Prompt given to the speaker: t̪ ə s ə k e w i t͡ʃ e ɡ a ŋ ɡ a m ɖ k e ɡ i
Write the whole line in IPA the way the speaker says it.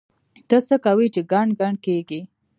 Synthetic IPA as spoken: t̪ ə s ə k a w i t͡ʃ e ɡ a ɳ ɡ a ɳ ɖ k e ɡ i